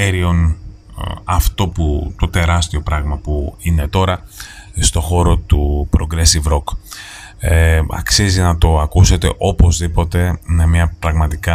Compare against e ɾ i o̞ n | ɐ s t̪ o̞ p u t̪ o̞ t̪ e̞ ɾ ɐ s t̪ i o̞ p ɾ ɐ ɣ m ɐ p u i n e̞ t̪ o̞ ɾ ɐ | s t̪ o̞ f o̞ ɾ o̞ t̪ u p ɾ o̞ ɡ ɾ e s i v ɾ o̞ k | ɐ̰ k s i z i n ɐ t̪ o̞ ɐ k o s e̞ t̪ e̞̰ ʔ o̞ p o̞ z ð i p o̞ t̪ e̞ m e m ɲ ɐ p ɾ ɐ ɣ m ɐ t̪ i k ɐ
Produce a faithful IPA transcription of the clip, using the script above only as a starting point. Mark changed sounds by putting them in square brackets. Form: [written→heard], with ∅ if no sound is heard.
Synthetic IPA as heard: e ɾ i o̞ n | ɐ [s→f] t̪ o̞ p u t̪ o̞ t̪ e̞ ɾ ɐ s t̪ i o̞ p ɾ ɐ ɣ m ɐ p u i n e̞ t̪ o̞ ɾ ɐ | s t̪ o̞ [f→x] o̞ ɾ o̞ t̪ u p ɾ o̞ ɡ ɾ e s i v ɾ o̞ k | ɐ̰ k s i z i n ɐ t̪ o̞ ɐ k [o→u] s e̞ t̪ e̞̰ ʔ o̞ p o̞ z ð i p o̞ t̪ e̞ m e m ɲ ɐ p ɾ ɐ ɣ m ɐ t̪ i k ɐ